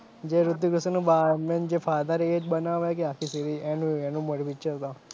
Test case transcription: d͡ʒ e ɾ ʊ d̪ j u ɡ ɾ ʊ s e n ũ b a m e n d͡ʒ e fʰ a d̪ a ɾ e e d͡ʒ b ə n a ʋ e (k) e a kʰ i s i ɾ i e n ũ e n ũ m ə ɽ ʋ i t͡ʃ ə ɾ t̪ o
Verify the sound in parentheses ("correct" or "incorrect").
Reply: correct